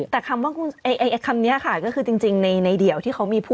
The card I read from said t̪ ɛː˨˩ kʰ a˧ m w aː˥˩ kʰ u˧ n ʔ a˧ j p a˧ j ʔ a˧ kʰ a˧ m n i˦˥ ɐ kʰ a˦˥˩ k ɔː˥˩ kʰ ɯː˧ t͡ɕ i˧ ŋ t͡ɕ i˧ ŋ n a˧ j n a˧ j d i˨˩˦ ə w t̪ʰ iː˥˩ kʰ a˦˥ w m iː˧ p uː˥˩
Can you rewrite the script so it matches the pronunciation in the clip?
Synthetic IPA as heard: t̪ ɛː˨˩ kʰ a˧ m w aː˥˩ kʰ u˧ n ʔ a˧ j ʔ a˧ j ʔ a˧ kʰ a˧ m n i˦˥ ɐ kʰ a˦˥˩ k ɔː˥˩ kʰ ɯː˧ t͡ɕ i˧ ŋ t͡ɕ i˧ ŋ n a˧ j n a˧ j d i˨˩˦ ə w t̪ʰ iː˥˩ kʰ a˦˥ w m iː˧ pʰ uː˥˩